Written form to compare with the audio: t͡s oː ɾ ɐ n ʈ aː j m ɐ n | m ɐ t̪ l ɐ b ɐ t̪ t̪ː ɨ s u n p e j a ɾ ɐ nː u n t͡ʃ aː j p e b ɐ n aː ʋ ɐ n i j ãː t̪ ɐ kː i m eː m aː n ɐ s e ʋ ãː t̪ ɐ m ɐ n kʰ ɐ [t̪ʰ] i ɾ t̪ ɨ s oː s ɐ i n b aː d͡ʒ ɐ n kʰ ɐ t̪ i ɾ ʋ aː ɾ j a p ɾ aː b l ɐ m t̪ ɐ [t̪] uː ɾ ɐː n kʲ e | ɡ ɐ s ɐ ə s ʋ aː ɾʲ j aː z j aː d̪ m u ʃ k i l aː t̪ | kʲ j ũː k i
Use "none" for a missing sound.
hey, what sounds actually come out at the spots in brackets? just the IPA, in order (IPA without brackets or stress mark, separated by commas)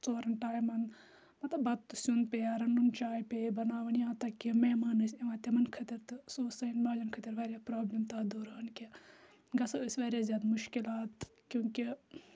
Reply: t̪, d̪